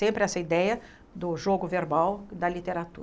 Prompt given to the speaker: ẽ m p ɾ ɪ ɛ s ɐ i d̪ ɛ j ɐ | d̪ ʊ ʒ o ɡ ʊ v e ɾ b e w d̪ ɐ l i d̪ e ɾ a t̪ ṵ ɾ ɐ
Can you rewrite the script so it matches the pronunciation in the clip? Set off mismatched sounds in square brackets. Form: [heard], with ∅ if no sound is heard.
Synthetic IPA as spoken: ẽ m p ɾ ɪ ɛ s ɐ i d̪ ɛ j ɐ | d̪ ʊ ʒ o ɡ ʊ v e ɾ b [a] w d̪ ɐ l i [t̪] e ɾ a t̪ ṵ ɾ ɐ